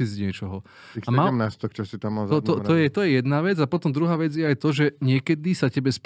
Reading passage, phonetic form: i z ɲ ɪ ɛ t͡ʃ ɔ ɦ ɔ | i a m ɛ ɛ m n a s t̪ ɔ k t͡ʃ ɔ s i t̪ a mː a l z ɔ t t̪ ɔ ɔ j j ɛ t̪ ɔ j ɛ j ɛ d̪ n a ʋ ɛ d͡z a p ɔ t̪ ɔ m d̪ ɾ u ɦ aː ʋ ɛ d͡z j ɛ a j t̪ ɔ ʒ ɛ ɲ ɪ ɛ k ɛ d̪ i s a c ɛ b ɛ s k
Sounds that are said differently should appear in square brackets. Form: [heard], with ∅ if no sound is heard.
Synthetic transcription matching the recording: i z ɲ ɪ ɛ t͡ʃ ɔ ɦ ɔ | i a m [a] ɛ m n a s t̪ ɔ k t͡ʃ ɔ s i t̪ a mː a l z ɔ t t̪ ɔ ɔ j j ɛ t̪ ɔ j ɛ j ɛ d̪ n a ʋ ɛ d͡z a p ɔ t̪ ɔ m d̪ ɾ u ɦ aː ʋ ɛ d͡z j ɛ a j t̪ ɔ ʒ ɛ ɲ ɪ ɛ k ɛ d̪ i s a c ɛ b ɛ s [p]